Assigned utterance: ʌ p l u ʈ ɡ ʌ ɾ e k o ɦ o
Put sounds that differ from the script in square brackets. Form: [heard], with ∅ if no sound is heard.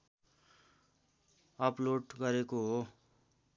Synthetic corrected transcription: ʌ p l [o] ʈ ɡ ʌ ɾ e k o ɦ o